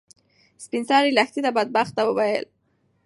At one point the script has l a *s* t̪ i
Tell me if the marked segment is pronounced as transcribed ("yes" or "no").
no